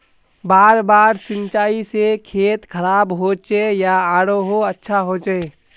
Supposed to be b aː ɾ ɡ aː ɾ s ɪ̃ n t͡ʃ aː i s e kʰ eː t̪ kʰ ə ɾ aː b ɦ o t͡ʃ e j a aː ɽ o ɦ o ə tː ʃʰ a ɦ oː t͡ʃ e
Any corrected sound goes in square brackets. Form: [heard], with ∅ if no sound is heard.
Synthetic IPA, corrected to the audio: b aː ɾ [b] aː ɾ s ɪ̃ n t͡ʃ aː i s e kʰ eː t̪ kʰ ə ɾ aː b ɦ o t͡ʃ e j a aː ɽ o ɦ o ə tː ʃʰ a ɦ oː t͡ʃ e

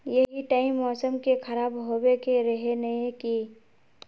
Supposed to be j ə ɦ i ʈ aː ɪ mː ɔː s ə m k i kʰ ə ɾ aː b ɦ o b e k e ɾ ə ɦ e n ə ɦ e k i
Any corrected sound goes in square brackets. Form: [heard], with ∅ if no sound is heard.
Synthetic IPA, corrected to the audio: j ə ɦ i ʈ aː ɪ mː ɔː s ə m k [e] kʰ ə ɾ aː b ɦ o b e k e ɾ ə ɦ e n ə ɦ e k i

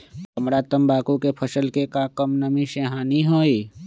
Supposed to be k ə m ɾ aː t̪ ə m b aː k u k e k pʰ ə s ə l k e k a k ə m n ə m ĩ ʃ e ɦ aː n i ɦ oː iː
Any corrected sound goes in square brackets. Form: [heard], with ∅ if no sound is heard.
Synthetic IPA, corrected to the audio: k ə m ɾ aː t̪ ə m b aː k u k e [∅] pʰ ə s ə l k e k a k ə m n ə m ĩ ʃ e ɦ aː n i ɦ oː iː

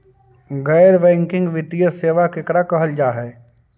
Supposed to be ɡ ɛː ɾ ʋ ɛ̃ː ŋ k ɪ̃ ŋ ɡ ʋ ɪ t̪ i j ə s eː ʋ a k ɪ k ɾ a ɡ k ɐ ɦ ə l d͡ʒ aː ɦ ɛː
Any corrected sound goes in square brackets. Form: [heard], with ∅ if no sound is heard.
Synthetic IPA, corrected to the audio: ɡ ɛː ɾ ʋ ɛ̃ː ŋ k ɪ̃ ŋ ɡ ʋ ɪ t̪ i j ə s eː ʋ a k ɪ k ɾ a [∅] k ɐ ɦ ə l d͡ʒ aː ɦ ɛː

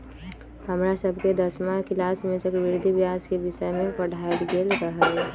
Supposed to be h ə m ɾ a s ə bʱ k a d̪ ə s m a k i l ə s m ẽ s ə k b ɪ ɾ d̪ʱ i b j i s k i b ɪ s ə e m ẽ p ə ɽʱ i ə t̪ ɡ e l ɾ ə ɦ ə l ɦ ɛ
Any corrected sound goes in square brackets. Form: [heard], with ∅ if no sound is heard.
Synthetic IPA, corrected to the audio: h ə m ɾ a s ə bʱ k [e] d̪ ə s m a k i l [a] s m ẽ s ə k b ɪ ɾ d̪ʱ i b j [a] s k [e] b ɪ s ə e m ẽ p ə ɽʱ [a] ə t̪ ɡ e l ɾ ə ɦ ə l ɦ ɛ

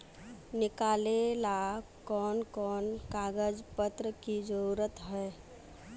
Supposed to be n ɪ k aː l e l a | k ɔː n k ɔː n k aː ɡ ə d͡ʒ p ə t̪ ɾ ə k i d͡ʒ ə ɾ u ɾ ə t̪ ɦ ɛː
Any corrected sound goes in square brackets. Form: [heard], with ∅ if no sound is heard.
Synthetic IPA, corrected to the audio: n ɪ k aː l e l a | k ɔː n k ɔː n k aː ɡ ə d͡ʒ p ə t̪ ɾ ə k i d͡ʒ ə ɾ u ɾ ə t̪ ɦ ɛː

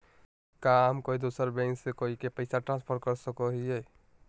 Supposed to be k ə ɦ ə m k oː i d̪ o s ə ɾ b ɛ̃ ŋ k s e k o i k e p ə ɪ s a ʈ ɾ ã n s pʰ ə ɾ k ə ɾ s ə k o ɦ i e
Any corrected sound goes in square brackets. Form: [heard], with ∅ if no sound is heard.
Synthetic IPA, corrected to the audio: k [a] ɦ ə m k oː i d̪ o s ə ɾ b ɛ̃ ŋ k s e k o i k e p ə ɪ s a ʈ ɾ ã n s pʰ ə ɾ k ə ɾ s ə k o ɦ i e

